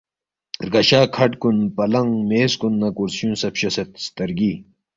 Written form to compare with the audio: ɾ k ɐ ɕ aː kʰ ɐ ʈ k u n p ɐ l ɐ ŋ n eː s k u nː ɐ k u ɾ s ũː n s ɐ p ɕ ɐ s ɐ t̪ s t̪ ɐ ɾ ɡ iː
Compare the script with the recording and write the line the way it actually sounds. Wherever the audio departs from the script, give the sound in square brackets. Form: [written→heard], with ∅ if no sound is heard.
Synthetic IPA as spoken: ɾ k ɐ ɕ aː kʰ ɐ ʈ k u n p ɐ l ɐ ŋ [n→m] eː s k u nː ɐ k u ɾ s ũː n s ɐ p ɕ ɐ s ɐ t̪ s t̪ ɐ ɾ ɡ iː

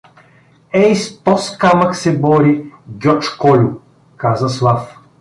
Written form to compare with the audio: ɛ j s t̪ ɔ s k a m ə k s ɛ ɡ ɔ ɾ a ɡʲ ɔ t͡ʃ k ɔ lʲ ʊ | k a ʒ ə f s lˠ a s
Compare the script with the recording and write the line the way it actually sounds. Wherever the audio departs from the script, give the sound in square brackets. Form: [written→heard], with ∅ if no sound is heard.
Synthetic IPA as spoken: ɛ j s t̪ ɔ s k a m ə k s ɛ [ɡ→b] ɔ ɾ [a→i] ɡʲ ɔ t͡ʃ k ɔ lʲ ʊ | k a [ʒ→z] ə [f→∅] s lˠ a [s→f]

